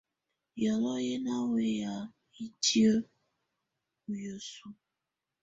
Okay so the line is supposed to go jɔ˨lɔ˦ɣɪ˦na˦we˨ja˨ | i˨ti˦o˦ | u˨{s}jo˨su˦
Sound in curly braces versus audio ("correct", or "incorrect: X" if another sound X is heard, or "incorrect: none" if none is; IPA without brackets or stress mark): incorrect: none